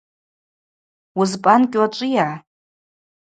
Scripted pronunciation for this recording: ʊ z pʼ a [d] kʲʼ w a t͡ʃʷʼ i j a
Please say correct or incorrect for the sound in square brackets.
incorrect